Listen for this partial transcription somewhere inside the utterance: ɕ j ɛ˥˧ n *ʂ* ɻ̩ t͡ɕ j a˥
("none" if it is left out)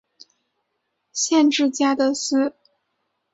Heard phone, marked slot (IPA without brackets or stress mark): ʈ͡ʂ